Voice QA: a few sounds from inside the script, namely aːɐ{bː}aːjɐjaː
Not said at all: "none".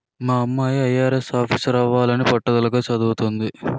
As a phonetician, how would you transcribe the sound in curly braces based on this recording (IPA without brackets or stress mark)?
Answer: mː